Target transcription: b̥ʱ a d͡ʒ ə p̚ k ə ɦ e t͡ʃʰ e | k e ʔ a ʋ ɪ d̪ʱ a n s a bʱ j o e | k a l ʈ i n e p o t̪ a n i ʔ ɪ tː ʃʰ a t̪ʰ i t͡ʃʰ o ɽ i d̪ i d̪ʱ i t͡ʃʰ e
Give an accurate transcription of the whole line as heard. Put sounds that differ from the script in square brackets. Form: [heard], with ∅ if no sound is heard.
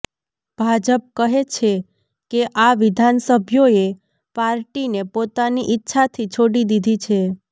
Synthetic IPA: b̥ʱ a d͡ʒ ə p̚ k ə ɦ e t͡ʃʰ e | k e ʔ a ʋ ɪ d̪ʱ a n s [ə] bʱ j o e | [p] a [ɾ] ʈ i n e p o t̪ a n i ʔ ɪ tː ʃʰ a t̪ʰ i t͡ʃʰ o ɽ i d̪ i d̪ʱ i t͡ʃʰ e